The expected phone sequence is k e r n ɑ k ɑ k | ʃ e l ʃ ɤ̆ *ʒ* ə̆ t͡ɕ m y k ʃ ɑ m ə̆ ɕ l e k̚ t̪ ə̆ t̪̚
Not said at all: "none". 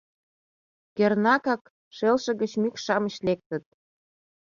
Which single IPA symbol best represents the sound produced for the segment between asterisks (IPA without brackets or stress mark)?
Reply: ɣ